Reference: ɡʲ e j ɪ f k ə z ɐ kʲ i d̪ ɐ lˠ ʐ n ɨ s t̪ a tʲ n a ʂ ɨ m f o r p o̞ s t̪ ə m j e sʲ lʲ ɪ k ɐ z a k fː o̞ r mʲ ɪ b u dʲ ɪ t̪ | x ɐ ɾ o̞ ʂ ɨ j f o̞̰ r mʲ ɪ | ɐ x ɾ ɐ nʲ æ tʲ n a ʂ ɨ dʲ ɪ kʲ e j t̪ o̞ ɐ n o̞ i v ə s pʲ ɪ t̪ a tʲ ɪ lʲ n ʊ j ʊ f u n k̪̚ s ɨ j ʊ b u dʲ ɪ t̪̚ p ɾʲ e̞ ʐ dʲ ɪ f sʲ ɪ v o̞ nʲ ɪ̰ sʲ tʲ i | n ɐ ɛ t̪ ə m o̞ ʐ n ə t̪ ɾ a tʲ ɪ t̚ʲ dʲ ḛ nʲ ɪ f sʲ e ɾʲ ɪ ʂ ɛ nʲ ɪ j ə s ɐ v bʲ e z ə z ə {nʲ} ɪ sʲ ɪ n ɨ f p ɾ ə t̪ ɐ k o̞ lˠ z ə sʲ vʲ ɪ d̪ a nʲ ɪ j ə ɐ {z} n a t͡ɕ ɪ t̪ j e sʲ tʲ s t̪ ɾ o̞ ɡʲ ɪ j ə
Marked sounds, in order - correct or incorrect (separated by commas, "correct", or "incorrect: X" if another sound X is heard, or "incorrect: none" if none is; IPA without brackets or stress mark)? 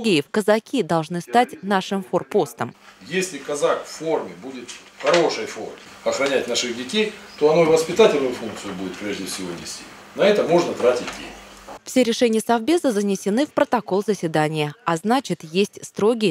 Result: correct, correct